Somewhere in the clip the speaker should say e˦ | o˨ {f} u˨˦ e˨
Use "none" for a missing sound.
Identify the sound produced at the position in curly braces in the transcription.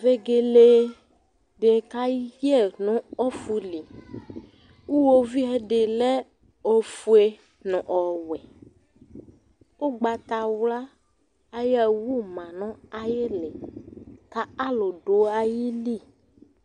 f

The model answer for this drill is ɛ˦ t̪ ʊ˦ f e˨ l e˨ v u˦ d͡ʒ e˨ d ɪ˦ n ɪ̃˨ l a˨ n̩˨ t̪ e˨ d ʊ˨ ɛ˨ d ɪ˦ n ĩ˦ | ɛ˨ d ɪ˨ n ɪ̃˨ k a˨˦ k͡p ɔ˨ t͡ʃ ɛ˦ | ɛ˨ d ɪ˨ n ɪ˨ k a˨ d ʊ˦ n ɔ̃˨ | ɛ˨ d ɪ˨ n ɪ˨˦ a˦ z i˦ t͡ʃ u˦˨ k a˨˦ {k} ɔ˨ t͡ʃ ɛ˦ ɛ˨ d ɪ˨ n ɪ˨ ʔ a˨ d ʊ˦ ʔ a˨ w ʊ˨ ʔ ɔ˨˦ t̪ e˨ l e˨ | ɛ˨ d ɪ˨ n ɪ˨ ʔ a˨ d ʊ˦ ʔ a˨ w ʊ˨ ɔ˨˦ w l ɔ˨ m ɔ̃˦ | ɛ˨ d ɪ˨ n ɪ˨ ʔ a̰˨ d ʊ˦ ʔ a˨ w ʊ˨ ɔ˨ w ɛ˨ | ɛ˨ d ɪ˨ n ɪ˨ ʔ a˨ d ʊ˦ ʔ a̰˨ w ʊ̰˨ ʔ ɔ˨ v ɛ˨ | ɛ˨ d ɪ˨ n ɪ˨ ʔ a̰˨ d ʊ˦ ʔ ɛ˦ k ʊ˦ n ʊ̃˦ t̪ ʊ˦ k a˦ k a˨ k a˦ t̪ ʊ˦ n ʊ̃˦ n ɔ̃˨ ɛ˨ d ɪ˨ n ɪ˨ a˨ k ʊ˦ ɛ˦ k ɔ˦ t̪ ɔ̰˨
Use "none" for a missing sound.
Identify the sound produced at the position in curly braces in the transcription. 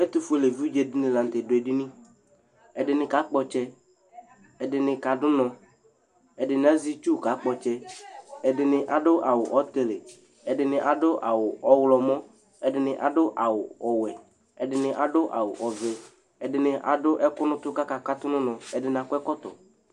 k͡p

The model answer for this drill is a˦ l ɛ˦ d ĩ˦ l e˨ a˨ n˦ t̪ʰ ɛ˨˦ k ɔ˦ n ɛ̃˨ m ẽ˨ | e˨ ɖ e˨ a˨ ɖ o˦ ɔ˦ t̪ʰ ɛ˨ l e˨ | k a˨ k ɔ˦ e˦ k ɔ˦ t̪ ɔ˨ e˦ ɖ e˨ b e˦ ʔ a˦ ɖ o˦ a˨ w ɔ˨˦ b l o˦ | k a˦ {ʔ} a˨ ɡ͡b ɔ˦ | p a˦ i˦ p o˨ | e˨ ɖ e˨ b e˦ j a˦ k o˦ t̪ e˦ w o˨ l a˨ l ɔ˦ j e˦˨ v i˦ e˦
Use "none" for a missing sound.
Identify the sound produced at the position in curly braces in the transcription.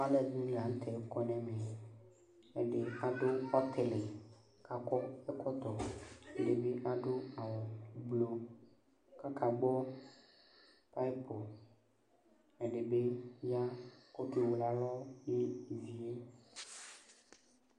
k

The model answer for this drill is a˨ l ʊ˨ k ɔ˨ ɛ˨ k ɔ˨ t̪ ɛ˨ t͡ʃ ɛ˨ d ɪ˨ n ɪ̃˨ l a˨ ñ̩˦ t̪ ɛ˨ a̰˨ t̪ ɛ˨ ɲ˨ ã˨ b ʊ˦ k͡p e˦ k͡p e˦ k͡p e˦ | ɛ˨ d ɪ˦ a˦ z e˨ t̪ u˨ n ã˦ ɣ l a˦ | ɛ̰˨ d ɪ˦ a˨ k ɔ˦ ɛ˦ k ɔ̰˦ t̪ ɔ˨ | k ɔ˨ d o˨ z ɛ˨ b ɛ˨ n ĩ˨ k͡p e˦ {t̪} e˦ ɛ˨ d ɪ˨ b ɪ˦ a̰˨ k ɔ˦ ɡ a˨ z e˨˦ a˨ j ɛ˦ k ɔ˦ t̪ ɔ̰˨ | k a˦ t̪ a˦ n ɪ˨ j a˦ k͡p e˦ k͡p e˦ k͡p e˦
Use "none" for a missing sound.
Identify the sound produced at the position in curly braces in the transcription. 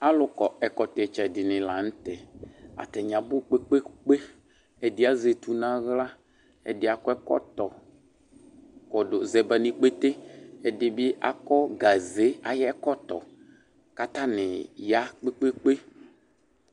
t̪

